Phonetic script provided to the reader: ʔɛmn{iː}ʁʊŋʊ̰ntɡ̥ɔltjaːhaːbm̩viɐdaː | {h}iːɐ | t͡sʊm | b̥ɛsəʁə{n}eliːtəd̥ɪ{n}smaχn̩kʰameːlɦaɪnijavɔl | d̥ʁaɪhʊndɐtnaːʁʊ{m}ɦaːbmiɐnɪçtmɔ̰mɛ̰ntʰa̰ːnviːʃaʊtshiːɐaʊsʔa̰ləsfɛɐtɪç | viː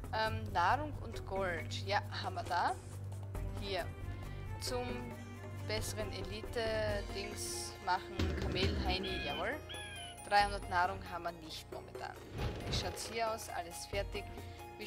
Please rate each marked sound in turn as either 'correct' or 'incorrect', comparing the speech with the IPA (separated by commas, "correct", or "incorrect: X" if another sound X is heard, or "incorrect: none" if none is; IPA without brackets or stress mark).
incorrect: aː, correct, correct, incorrect: ŋ, incorrect: ŋ